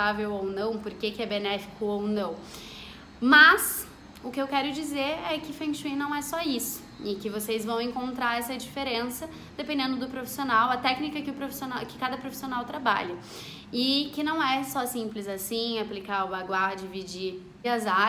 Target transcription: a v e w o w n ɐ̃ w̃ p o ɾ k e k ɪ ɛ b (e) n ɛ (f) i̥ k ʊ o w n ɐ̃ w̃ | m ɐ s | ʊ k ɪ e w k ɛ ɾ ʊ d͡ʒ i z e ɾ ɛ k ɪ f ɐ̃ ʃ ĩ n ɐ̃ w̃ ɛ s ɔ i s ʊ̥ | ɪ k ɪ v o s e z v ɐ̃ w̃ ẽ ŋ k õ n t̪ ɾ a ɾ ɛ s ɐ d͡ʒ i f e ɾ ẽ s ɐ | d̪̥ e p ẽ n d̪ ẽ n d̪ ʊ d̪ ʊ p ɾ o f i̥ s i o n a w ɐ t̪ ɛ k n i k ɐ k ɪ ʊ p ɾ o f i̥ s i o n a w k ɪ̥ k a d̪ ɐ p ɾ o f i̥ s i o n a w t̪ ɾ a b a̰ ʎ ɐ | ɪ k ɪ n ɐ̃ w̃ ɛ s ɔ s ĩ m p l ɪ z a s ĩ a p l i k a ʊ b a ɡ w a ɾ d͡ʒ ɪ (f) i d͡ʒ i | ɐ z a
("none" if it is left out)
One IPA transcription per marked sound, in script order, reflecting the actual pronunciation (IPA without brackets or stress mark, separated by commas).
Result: e, f, v